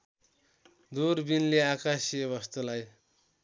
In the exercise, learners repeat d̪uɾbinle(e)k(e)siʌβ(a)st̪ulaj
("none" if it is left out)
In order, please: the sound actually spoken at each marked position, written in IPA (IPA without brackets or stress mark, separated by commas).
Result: a, a, ʌ